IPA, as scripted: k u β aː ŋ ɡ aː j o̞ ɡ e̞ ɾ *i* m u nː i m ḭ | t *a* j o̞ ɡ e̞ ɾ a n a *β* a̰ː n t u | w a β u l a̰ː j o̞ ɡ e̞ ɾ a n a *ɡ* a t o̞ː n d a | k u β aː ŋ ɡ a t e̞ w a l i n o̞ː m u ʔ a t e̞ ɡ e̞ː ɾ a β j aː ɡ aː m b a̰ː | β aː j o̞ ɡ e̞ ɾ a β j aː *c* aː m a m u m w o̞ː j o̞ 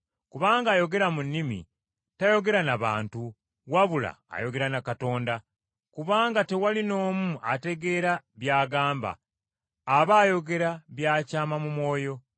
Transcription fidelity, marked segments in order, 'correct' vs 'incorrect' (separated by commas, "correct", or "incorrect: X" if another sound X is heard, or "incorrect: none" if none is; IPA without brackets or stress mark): incorrect: a, correct, correct, incorrect: k, correct